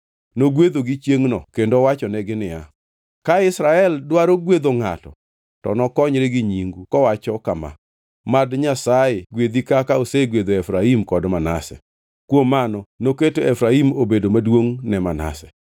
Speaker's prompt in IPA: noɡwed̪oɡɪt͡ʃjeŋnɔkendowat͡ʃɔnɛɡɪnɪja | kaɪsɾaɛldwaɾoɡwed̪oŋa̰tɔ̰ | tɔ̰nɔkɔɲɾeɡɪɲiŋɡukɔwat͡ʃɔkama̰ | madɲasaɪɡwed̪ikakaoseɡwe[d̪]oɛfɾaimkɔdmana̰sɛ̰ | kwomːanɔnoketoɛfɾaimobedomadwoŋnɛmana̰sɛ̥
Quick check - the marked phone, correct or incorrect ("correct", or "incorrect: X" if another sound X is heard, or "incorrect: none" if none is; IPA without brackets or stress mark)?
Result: correct